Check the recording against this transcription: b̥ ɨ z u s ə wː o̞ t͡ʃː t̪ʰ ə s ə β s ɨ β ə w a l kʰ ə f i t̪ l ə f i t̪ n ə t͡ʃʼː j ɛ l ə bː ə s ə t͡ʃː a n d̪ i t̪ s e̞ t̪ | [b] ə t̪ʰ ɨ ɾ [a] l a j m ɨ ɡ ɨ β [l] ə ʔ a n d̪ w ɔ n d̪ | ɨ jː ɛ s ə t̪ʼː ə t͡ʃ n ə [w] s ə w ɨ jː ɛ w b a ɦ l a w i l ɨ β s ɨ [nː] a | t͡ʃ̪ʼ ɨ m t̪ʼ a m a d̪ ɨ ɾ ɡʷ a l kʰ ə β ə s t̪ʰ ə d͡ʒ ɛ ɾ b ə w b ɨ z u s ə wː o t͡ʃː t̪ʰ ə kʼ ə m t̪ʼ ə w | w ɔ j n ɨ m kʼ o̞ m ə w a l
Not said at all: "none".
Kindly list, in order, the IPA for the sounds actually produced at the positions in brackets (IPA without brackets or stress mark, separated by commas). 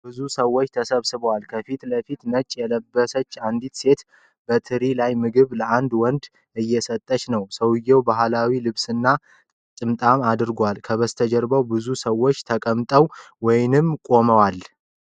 b, i, l, w, nː